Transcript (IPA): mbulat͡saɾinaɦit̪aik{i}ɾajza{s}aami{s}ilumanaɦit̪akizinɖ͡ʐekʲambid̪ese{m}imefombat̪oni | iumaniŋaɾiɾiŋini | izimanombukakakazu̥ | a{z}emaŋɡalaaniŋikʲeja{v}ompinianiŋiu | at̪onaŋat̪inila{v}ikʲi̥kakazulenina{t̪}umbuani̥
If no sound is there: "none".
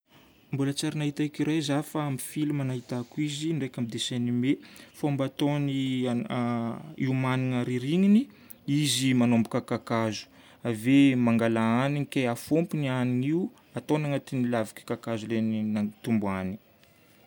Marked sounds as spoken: i, f, f, n, v, f, v, t̪

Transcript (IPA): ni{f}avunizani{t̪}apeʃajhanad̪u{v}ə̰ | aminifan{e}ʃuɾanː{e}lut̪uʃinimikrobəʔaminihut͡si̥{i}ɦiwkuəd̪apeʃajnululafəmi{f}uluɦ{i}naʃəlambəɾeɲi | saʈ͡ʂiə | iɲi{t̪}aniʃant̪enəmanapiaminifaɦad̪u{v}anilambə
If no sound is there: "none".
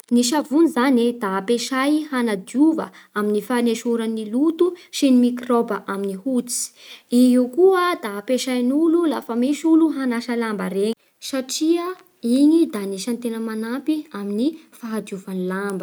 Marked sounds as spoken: ʃ, d̪, v, e, i, i, ʃ, a, d̪, v

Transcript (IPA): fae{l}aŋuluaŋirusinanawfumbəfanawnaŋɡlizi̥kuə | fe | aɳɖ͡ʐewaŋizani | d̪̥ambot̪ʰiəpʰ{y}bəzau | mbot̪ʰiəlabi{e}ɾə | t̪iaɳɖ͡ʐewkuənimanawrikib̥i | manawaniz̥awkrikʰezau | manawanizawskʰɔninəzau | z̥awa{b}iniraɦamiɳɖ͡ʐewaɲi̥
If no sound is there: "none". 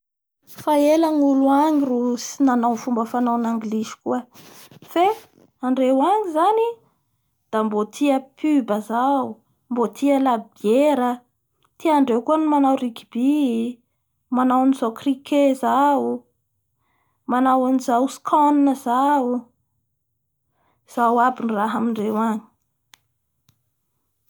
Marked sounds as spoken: l, y, e, b

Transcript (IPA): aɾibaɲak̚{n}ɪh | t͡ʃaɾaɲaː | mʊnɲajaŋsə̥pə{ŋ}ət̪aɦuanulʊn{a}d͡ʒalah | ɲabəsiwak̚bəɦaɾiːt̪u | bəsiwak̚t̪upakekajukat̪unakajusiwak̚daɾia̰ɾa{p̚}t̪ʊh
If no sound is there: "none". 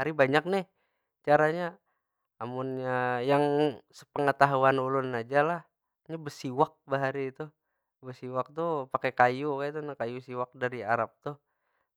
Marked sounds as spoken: n, ŋ, a, p̚

